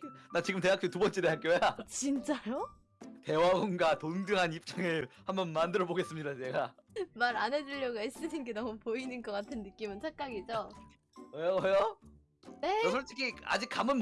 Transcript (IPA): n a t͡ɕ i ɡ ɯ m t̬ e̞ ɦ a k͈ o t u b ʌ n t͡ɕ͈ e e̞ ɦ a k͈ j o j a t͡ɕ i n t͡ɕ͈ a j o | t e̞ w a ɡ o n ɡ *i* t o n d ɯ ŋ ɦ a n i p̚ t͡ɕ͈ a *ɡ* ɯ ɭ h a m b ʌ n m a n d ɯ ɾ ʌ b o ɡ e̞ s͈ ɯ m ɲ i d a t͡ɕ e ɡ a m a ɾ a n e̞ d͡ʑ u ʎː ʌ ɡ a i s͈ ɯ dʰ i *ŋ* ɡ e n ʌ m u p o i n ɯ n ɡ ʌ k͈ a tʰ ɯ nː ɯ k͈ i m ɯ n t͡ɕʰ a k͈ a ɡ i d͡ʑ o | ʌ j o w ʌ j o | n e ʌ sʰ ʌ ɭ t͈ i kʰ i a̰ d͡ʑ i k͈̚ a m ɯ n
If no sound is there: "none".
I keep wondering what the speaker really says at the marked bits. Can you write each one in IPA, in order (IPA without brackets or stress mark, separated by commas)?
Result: a, ŋ, n